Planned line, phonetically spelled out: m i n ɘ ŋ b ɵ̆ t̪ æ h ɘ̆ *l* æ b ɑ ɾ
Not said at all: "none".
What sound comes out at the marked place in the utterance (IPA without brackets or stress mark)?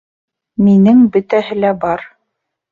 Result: l